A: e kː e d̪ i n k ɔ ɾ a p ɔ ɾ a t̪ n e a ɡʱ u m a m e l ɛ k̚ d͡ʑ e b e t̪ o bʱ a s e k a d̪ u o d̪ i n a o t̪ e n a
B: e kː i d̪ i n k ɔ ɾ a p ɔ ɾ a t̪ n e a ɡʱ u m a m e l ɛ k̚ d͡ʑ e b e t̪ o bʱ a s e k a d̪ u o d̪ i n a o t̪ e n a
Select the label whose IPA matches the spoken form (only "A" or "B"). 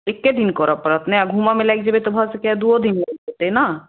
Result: A